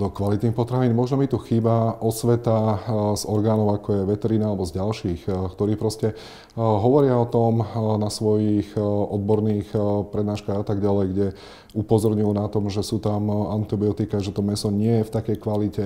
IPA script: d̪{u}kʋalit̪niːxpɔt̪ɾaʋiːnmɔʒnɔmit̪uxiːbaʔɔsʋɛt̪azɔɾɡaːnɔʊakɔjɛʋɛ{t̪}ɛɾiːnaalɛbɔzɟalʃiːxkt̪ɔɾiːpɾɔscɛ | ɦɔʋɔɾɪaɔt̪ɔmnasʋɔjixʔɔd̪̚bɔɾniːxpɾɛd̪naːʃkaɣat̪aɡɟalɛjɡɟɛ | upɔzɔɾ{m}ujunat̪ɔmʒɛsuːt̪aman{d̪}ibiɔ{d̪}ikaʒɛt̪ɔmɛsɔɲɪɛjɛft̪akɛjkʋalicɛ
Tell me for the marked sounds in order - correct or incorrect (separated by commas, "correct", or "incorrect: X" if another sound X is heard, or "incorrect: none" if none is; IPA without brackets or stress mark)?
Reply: incorrect: ɔ, correct, incorrect: ɲ, incorrect: t̪, incorrect: t̪